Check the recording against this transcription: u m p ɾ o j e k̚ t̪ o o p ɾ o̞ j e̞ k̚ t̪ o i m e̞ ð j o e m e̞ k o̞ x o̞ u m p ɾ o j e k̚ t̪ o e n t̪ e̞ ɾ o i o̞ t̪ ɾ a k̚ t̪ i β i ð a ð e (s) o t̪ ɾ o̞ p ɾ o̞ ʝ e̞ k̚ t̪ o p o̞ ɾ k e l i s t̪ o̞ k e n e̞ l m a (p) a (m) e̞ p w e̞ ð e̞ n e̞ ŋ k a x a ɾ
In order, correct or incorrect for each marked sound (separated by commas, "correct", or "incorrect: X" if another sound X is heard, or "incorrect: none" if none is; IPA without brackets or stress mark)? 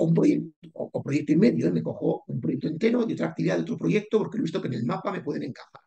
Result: incorrect: none, correct, correct